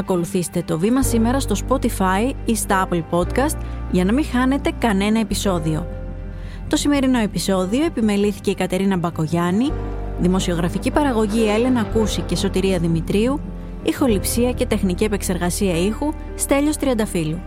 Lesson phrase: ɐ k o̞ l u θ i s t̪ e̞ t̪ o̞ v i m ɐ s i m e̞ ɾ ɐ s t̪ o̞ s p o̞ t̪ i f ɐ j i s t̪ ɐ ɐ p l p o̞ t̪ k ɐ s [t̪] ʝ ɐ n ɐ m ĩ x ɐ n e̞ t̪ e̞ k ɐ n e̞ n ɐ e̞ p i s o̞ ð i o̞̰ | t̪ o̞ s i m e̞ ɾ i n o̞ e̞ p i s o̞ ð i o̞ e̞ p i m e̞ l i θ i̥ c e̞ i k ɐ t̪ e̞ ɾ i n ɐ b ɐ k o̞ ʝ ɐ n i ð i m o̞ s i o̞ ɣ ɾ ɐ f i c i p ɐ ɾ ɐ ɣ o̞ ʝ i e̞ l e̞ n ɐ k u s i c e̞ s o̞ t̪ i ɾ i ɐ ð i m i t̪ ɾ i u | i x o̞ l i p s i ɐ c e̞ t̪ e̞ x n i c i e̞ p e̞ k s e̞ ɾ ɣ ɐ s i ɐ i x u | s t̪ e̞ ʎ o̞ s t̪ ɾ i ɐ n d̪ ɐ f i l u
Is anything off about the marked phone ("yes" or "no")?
no